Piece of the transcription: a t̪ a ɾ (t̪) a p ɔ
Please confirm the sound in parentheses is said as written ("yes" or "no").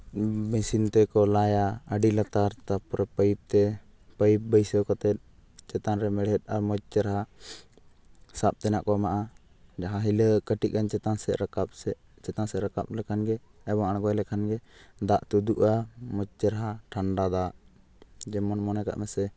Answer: yes